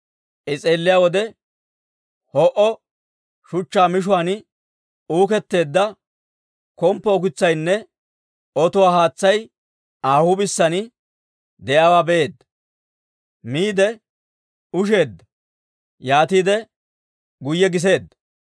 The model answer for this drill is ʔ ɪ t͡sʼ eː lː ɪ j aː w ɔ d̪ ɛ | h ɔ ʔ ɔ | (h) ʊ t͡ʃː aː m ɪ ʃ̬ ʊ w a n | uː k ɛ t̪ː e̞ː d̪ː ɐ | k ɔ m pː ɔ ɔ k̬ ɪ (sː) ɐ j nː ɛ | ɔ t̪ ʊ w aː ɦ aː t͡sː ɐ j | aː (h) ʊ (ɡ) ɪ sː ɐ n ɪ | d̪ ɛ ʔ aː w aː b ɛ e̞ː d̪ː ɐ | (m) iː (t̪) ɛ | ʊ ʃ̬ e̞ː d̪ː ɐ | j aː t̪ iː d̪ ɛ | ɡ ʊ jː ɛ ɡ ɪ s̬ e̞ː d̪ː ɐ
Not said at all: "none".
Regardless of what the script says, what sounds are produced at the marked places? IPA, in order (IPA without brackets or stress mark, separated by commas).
ʃ, t͡sː, h, b, m, d̪